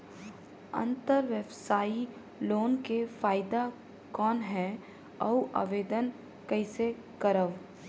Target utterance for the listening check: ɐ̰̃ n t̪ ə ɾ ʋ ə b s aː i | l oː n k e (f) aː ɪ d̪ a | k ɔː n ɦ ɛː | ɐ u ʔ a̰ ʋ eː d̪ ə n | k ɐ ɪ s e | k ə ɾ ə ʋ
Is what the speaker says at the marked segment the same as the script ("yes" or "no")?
yes